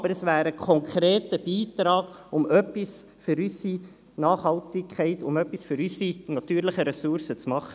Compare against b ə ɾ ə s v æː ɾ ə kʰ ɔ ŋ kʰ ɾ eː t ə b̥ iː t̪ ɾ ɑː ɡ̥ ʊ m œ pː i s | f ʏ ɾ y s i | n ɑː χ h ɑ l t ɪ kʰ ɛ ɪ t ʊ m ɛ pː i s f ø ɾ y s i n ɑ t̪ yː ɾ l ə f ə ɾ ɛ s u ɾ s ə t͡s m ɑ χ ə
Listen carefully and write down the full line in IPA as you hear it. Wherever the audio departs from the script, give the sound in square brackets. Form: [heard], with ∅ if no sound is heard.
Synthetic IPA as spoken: b ə ɾ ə s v æː ɾ ə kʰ ɔ ŋ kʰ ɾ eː t ə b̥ iː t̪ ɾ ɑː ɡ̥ ʊ m œ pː i s | f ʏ ɾ y s i | n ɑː χ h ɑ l t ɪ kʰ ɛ ɪ t ʊ m [œ] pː i s f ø ɾ y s i n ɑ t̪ yː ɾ l ə [χ] ə ɾ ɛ s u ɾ s ə t͡s m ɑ χ ə